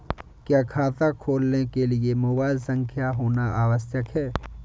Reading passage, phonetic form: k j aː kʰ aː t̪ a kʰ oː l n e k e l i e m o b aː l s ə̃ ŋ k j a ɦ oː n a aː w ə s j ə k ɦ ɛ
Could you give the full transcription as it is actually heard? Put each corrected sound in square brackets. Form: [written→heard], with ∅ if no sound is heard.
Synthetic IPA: k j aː kʰ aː t̪ a kʰ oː l n e k e l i e m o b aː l s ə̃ ŋ [k→kʰ] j a ɦ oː n a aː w ə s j ə k ɦ [ɛ→ɛː]